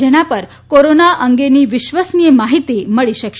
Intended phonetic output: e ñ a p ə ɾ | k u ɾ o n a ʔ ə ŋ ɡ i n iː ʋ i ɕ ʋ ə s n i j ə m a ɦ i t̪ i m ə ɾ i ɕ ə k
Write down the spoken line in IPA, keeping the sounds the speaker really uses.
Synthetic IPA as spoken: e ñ a p ə ɾ | k o ɾ o n a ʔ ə ŋ ɡ e n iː ʋ i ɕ ʋ ə s n i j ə m a ɦ i t̪ i m ə ɭ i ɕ ə k